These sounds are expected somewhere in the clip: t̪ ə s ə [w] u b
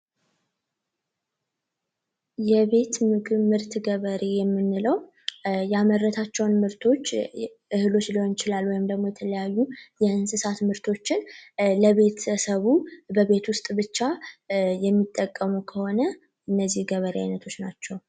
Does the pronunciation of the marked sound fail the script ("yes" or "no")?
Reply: yes